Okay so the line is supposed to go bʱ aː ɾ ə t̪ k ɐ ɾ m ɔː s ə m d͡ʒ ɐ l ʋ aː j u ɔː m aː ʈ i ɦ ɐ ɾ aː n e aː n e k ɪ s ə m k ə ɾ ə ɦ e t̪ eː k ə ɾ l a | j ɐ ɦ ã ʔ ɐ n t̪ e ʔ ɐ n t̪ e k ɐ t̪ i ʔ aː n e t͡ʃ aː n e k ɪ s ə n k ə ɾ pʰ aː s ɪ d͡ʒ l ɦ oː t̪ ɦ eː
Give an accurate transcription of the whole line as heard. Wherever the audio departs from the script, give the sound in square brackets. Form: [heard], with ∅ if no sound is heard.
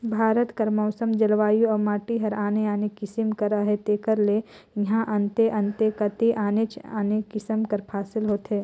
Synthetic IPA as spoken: bʱ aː ɾ ə t̪ k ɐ ɾ m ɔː s ə m d͡ʒ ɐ l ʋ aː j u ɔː m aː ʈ i ɦ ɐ ɾ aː n e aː n e k ɪ s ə m k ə ɾ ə ɦ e t̪ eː k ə ɾ l [e] | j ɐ ɦ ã ʔ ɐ n t̪ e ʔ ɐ n t̪ e k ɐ t̪ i ʔ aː n e t͡ʃ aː n e k ɪ s ə [m] k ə ɾ pʰ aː s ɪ [∅] l ɦ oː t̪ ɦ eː

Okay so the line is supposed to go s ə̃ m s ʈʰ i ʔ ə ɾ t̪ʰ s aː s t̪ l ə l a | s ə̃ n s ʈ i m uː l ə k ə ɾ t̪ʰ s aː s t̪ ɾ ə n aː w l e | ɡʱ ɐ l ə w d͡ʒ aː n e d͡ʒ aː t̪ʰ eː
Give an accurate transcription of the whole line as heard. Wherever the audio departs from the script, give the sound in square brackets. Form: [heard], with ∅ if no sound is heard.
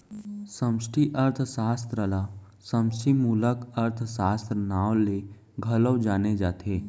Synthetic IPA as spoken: s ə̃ m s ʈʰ i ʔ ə ɾ t̪ʰ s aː s t̪ [ɾ] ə l a | s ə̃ [m] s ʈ i m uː l ə k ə ɾ t̪ʰ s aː s t̪ ɾ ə n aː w l e | ɡʱ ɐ l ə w d͡ʒ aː n e d͡ʒ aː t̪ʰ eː

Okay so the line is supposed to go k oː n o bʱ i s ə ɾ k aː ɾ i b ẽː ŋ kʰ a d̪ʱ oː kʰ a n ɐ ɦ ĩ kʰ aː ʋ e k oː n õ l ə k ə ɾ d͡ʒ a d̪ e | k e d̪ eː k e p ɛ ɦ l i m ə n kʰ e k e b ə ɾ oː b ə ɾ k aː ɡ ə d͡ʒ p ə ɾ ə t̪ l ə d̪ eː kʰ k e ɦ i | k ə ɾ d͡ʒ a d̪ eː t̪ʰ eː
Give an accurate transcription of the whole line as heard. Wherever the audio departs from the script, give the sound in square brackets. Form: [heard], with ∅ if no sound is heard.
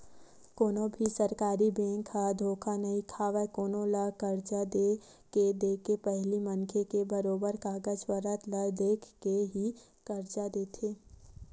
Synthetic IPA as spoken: k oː n o bʱ i s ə ɾ k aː ɾ i b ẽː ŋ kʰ a d̪ʱ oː kʰ a n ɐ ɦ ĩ kʰ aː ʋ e k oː n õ l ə k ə ɾ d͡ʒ a d̪ e | k e d̪ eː k e p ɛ ɦ l i m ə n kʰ e k e b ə ɾ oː b ə ɾ k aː ɡ ə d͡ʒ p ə ɾ ə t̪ l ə d̪ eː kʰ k e ɦ i | k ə ɾ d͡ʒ a d̪ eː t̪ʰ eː

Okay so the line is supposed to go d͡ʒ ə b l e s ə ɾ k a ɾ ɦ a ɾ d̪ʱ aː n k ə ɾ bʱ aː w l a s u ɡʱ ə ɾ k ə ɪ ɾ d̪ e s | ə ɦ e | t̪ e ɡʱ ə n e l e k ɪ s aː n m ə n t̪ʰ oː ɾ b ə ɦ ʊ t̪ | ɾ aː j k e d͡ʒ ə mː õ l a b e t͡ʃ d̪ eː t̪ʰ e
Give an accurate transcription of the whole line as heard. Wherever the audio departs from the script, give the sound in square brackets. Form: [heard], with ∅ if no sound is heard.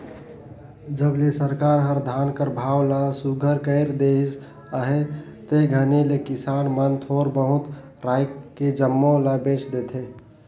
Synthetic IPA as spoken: d͡ʒ ə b l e s ə ɾ k a ɾ ɦ [ə] ɾ d̪ʱ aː n k ə ɾ bʱ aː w l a s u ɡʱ ə ɾ k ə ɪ ɾ d̪ e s | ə ɦ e | t̪ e ɡʱ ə n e l e k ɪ s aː n m ə n t̪ʰ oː ɾ b ə ɦ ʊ t̪ | ɾ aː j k e d͡ʒ ə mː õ l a b e t͡ʃ d̪ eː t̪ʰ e

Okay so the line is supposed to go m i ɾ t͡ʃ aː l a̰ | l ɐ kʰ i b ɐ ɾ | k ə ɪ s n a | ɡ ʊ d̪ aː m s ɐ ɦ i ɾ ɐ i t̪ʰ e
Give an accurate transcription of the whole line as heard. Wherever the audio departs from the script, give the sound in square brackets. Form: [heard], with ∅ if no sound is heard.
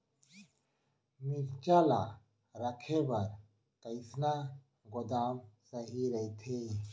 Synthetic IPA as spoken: m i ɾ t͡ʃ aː l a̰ | [ɾ] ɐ kʰ [e] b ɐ ɾ | k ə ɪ s n a | ɡ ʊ d̪ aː m s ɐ ɦ i ɾ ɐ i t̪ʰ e

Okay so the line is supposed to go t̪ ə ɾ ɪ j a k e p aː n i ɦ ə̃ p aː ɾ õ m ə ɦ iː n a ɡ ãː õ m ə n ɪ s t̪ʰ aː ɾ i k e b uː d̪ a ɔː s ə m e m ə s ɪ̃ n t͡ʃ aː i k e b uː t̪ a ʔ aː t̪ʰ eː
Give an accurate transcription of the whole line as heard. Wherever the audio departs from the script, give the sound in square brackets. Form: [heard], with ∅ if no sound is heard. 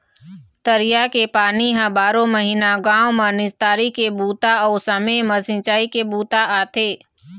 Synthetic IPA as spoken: t̪ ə ɾ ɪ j a k e p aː n i ɦ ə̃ [b] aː ɾ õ m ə ɦ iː n a ɡ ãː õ m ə n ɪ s [t̪] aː ɾ i k e b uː [t̪] a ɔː s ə m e m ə s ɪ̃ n t͡ʃ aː i k e b uː t̪ a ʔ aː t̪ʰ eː

